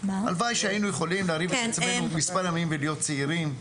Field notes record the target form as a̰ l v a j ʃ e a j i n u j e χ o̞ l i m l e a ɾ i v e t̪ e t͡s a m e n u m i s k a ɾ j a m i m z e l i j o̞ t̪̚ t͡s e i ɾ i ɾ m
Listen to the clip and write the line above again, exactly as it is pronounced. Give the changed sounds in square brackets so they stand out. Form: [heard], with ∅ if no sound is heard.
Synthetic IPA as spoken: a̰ l v a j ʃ e a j i n u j e χ o̞ l i m l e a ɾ i v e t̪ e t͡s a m e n u m i s [p] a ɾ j a m i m [v] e l i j o̞ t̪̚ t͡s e i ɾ i [∅] m